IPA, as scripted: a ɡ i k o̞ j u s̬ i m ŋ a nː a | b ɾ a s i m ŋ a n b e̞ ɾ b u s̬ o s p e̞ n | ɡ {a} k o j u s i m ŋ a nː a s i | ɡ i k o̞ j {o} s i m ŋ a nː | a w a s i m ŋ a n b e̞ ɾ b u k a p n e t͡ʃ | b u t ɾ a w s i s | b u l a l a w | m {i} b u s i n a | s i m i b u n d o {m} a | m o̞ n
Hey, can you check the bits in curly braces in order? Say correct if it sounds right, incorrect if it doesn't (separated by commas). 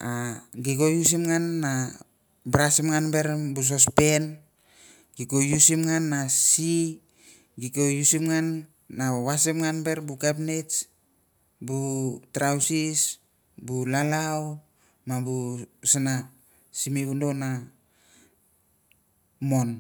incorrect, incorrect, incorrect, incorrect